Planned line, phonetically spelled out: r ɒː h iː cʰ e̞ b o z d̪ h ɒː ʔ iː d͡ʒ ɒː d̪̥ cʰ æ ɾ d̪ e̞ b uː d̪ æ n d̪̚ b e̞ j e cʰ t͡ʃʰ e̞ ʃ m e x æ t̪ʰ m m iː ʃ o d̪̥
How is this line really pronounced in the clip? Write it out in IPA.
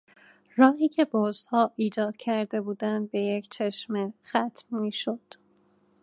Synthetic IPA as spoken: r ɒː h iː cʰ e̞ b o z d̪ h ɒː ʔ iː d͡ʒ ɒː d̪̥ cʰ æ ɾ d̪ e̞ b uː d̪ æ n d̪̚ b e̞ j e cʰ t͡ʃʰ e̞ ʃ m e x æ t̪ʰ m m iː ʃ o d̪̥

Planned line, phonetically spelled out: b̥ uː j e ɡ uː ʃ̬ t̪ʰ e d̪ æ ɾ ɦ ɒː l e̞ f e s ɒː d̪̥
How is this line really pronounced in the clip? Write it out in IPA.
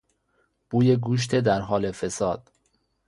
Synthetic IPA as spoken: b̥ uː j e ɡ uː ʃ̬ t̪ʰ e d̪ æ ɾ ɦ ɒː l e̞ f e s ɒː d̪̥

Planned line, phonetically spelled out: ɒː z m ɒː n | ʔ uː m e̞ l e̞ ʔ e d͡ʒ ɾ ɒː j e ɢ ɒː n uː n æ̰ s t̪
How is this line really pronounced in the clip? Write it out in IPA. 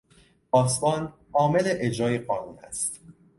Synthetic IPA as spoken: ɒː s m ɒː n | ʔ ɒː m e̞ l e̞ ʔ e d͡ʒ ɾ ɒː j e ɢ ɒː n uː n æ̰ s t̪

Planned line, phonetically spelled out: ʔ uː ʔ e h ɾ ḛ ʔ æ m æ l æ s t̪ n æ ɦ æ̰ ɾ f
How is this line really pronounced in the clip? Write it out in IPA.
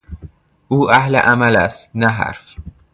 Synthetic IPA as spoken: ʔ uː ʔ æ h l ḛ ʔ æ m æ l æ s t̪ n æ ɦ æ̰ ɾ f

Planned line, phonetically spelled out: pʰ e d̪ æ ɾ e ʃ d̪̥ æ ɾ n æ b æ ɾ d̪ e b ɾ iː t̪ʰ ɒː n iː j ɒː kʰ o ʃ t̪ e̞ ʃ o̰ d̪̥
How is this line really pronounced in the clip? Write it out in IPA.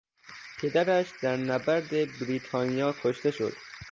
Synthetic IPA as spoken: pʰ e d̪ æ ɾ æ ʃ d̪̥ æ ɾ n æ b æ ɾ d̪ e b ɾ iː t̪ʰ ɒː n i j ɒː kʰ o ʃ t̪ e̞ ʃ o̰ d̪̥

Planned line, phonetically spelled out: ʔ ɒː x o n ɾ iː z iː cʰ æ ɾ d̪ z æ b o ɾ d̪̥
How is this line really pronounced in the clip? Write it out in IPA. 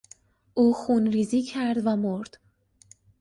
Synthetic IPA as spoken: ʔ uː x u n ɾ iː z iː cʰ æ ɾ d̪ v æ m o ɾ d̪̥

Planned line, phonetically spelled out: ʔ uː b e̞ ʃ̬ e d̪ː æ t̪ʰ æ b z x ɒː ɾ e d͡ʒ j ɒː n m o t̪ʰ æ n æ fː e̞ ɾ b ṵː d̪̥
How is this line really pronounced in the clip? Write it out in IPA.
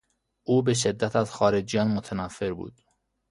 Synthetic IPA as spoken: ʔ uː b e̞ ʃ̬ e d̪ː æ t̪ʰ æ z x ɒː ɾ e d͡ʒ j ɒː n m o t̪ʰ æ n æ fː e̞ ɾ b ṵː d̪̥

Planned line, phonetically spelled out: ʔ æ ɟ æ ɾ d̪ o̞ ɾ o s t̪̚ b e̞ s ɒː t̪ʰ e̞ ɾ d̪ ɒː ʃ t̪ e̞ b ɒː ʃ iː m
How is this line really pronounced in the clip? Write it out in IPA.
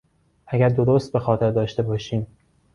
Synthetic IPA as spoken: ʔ æ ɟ æ ɾ d̪ o̞ ɾ o s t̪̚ b e̞ x ɒː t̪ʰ e̞ ɾ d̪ ɒː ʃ t̪ e̞ b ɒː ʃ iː m

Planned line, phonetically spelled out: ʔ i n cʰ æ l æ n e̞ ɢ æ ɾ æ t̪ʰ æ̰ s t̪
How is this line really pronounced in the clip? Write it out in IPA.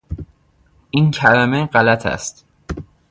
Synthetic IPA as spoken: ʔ i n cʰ æ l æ m e̞ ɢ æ l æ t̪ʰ æ̰ s t̪

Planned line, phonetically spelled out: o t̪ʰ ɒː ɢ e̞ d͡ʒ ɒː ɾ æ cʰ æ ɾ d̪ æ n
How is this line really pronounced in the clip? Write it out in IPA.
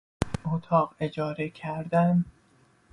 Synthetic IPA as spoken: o t̪ʰ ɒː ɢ e̞ d͡ʒ ɒː ɾ e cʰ æ ɾ d̪ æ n

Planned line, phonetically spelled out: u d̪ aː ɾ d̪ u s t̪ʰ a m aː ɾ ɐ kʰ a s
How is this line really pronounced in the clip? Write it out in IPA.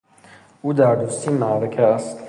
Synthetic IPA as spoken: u d̪ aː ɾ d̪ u s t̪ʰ i m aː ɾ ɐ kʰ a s

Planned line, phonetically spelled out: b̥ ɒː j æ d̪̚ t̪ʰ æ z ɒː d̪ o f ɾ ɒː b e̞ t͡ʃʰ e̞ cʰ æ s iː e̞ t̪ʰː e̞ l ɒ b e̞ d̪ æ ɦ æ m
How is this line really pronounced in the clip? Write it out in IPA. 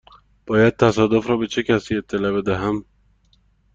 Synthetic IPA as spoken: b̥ ɒː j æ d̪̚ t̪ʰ æ s ɒː d̪ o f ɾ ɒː b e̞ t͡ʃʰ e̞ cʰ æ s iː e̞ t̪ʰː e̞ l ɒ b e̞ d̪ æ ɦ æ m

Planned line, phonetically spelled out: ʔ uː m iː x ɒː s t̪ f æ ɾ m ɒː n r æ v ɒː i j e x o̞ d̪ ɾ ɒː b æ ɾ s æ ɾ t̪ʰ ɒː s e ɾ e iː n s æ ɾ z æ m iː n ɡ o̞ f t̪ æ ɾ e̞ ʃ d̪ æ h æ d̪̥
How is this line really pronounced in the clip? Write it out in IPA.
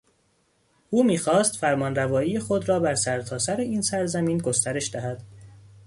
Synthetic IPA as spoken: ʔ uː m iː x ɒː s t̪ f æ ɾ m ɒː n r æ v ɒː i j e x o̞ d̪ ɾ ɒː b æ ɾ s æ ɾ t̪ʰ ɒː s æ ɾ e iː n s æ ɾ z æ m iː n ɡ o̞ s t̪ æ ɾ e̞ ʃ d̪ æ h æ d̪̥

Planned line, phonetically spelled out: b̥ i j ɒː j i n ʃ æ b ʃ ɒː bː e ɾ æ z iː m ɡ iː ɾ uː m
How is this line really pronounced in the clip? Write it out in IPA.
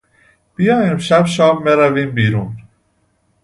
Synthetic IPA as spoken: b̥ i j ɒː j i m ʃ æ b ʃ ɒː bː e ɾ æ v iː m b iː ɾ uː n

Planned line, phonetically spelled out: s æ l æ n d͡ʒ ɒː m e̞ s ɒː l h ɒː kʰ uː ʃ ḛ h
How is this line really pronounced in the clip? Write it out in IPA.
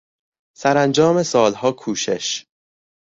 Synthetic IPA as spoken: s æ ɾ æ n d͡ʒ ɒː m e̞ s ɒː l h ɒː kʰ uː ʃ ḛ ʃ

